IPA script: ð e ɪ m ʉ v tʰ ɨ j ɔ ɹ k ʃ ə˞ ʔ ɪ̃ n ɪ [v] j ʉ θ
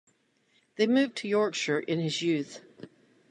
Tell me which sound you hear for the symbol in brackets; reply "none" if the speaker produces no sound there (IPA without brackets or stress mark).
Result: z